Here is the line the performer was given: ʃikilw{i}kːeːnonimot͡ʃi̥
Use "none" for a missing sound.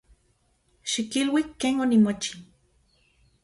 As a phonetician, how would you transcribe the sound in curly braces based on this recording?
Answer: i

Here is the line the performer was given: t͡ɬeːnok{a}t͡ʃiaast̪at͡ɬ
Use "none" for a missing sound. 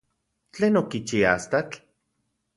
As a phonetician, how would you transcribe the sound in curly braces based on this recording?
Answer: i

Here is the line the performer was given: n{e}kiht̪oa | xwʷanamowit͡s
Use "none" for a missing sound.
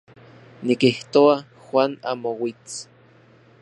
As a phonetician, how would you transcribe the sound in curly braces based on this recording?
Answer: i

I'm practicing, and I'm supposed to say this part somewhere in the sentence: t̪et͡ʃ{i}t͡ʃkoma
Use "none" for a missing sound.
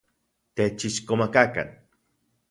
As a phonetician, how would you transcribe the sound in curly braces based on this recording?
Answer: i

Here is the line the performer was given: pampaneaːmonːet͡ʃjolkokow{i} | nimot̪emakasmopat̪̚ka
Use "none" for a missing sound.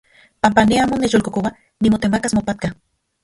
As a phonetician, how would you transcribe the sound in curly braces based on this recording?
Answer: a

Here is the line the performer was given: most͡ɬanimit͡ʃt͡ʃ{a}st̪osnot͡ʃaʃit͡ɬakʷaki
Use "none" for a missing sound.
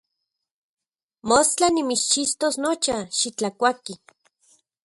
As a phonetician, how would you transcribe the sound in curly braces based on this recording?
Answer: i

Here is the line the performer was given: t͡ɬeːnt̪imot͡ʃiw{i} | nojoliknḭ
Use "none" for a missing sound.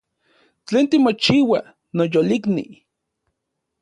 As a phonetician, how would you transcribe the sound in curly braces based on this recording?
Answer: a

